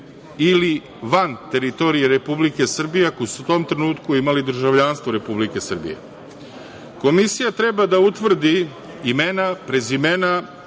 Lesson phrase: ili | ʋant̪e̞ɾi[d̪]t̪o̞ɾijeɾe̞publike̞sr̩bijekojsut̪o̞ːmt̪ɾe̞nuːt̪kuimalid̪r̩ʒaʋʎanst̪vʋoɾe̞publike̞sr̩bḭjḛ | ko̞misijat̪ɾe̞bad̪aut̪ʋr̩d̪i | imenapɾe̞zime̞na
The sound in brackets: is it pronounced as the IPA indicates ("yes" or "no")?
no